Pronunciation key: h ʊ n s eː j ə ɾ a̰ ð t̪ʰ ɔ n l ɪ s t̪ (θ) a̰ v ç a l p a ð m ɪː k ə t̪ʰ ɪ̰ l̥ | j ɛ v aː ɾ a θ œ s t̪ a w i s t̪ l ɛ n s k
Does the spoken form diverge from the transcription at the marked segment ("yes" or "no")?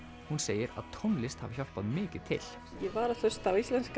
yes